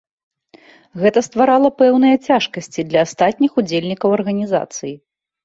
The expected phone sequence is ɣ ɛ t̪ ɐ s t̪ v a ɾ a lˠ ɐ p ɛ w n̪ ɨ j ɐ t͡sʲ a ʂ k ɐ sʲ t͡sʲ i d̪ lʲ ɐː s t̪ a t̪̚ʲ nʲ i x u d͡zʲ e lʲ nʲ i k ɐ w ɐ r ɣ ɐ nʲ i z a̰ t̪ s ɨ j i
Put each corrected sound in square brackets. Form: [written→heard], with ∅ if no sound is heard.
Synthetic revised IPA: ɣ ɛ t̪ ɐ s t̪ v a ɾ a lˠ ɐ p ɛ w n̪ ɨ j ɐ t͡sʲ a ʂ k ɐ sʲ t͡sʲ i d̪ lʲ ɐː s t̪ a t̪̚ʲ nʲ i x u d͡zʲ e lʲ nʲ i k ɐ w ɐ r ɣ ɐ nʲ i z a̰ t̪ s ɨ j i